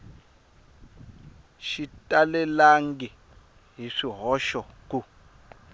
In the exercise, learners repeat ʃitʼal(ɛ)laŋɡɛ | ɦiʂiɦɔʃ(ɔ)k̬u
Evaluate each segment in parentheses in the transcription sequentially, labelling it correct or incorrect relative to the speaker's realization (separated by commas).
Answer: correct, correct